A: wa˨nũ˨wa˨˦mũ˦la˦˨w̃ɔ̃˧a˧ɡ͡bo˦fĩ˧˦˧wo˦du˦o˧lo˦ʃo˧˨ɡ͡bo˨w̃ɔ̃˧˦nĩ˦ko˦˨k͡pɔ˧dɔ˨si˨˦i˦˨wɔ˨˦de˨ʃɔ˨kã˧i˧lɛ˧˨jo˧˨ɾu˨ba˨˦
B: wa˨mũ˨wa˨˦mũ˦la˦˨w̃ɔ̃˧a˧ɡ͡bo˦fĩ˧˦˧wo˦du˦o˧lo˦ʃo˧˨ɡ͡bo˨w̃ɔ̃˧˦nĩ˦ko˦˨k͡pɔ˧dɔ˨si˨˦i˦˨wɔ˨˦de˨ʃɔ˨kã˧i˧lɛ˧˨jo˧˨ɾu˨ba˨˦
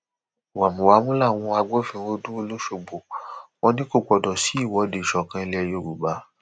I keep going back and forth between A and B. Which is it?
B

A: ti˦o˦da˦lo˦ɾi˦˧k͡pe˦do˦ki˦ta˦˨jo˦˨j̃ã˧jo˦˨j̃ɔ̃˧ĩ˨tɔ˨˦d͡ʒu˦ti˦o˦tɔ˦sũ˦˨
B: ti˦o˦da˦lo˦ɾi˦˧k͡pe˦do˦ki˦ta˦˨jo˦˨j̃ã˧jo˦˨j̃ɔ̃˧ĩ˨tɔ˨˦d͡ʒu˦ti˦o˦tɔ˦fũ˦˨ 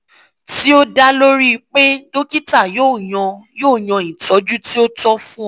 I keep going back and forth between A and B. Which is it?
B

